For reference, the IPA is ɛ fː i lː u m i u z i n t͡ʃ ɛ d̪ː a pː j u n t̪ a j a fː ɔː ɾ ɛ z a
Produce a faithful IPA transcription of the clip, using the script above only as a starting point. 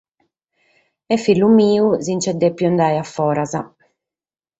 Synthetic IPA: ɛ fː i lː u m iː u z i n t͡ʃ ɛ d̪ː ɛ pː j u n d̪ a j a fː ɔː ɾ a z a